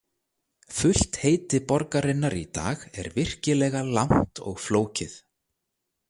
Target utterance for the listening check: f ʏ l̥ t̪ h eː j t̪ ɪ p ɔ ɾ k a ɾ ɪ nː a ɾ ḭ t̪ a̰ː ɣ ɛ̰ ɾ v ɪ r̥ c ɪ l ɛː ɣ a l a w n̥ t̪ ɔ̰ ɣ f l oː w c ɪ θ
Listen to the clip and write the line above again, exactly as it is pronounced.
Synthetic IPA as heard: f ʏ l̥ t̪ h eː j t̪ ɪ p ɔ ɾ k a ɾ ɪ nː a ɾ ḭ t̪ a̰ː ɣ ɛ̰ ɾ v ɪ r̥ c ɪ l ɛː ɣ a l a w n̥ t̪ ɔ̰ ɣ f l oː w c ɪ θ